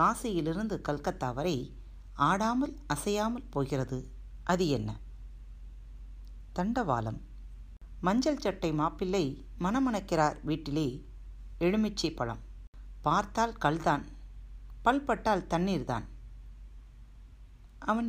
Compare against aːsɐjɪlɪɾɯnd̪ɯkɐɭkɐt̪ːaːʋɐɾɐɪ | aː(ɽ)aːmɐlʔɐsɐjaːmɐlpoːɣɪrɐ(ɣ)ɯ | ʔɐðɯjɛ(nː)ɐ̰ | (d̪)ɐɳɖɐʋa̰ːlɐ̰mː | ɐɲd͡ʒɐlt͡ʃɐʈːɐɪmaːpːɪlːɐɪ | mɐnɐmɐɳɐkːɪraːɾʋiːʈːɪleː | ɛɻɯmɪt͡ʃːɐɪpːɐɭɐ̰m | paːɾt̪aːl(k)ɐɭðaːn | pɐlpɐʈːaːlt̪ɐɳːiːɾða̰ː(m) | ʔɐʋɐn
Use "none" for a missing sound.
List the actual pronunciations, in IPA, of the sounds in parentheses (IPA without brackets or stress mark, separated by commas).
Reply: ɽ, ð, nː, t̪, k, n